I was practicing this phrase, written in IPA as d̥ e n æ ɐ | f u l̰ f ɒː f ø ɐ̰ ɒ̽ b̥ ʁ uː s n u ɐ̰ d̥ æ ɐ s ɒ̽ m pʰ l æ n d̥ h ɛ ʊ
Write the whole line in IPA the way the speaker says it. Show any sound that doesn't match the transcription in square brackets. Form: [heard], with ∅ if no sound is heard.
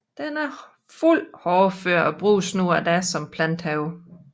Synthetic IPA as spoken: d̥ e n æ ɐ | f u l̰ [h] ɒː f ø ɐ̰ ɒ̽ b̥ ʁ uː s n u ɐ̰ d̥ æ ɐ s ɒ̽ m pʰ l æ n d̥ h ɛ ʊ